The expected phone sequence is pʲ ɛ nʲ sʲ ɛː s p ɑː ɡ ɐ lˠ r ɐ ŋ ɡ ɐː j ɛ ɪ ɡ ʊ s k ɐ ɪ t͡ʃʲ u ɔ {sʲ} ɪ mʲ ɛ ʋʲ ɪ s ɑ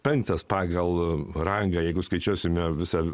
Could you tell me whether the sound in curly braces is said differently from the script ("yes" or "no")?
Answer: no